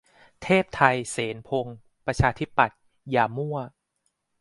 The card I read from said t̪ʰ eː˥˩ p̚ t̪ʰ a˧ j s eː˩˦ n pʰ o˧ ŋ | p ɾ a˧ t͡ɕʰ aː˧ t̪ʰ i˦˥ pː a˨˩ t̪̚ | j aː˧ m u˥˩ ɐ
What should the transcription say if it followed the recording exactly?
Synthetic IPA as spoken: t̪ʰ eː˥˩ p̚ t̪ʰ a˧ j s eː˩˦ n pʰ o˧ ŋ | p ɾ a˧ t͡ɕʰ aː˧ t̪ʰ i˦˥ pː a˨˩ t̪̚ | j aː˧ m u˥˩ ɐ